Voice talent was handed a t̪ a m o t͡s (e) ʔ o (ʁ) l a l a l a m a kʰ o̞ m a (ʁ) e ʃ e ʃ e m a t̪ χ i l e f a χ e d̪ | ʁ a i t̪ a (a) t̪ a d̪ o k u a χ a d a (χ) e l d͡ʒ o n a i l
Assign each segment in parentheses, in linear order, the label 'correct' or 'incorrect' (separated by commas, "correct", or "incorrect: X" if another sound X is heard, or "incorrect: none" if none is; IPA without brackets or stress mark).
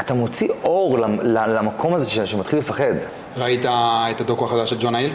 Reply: incorrect: i, correct, incorrect: z, incorrect: e, incorrect: ʃ